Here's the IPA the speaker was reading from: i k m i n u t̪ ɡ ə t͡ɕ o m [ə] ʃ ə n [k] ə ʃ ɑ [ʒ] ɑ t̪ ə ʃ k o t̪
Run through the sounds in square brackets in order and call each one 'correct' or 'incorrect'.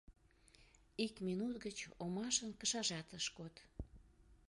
incorrect: ɑ, correct, correct

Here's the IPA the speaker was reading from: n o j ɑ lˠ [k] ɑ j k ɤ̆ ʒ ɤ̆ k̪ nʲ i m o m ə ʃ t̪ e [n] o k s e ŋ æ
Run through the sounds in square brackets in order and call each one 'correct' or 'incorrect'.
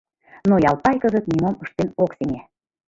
incorrect: p, correct

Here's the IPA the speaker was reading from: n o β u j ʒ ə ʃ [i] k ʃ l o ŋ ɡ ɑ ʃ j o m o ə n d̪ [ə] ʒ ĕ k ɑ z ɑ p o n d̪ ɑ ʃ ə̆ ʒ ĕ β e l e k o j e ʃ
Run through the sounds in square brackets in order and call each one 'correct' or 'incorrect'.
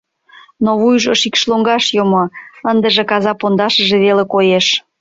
correct, correct

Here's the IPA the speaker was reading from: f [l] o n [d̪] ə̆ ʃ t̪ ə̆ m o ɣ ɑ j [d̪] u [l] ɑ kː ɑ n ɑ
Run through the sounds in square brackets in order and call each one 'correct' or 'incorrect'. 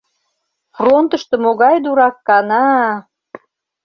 incorrect: r, incorrect: t̪, correct, incorrect: ɾ

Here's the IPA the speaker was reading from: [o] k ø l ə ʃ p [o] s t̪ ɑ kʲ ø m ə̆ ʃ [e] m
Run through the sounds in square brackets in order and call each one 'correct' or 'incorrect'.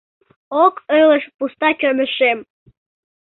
correct, incorrect: u, correct

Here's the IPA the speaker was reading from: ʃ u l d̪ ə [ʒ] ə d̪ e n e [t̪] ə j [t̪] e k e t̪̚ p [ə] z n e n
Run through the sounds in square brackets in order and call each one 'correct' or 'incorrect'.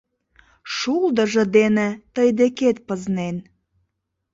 correct, correct, incorrect: d̪, correct

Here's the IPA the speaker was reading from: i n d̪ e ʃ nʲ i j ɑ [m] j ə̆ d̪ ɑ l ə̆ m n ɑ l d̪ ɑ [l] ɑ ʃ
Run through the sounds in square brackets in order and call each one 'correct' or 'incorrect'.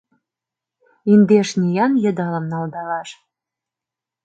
incorrect: n, correct

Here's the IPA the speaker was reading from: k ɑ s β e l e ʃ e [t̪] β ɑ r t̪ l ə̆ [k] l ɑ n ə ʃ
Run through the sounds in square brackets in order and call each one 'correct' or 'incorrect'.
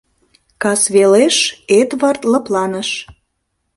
correct, incorrect: p

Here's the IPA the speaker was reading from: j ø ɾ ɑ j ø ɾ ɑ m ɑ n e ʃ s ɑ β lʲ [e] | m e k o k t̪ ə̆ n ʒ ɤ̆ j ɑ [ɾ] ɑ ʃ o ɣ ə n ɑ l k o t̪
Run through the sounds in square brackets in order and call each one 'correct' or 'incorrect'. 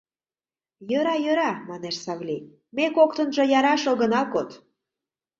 incorrect: i, correct

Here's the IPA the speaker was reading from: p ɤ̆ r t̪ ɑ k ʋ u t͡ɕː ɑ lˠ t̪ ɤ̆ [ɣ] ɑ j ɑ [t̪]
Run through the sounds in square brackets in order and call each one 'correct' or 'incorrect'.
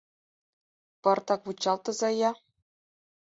incorrect: z, incorrect: none

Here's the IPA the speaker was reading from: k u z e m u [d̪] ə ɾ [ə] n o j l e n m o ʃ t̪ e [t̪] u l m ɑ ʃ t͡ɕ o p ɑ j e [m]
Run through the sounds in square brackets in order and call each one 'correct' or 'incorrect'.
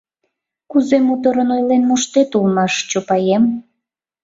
incorrect: t̪, correct, correct, correct

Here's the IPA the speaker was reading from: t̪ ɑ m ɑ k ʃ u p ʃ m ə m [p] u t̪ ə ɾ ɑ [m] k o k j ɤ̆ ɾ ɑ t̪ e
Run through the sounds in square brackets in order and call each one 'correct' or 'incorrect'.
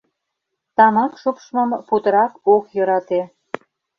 correct, incorrect: none

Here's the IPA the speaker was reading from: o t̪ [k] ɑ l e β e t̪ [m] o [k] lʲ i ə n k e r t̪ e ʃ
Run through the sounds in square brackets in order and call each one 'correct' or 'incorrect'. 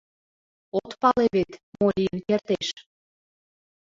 incorrect: p, correct, incorrect: none

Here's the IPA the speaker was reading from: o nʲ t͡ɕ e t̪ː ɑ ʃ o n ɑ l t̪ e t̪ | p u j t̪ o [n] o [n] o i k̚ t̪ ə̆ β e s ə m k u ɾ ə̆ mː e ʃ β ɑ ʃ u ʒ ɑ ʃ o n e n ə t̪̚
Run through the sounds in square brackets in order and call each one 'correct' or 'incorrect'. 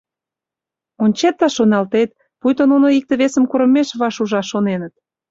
correct, correct

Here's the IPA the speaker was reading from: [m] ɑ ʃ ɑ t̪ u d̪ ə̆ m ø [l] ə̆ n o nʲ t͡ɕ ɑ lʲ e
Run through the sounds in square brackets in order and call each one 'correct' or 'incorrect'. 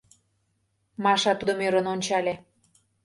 correct, incorrect: ɾ

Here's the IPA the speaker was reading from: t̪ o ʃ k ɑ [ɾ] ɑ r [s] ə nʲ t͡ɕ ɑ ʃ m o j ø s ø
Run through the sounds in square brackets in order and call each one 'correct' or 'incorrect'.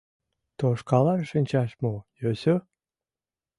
incorrect: l, incorrect: ʃ

